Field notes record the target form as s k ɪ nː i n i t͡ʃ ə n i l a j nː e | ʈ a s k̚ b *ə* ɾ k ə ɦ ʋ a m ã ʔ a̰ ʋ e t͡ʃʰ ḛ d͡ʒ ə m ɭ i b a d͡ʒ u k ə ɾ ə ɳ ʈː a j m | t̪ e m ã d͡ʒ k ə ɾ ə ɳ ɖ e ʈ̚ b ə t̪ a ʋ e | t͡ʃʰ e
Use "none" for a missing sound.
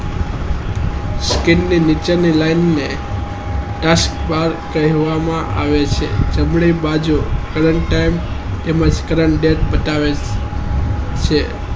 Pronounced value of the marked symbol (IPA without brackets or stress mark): a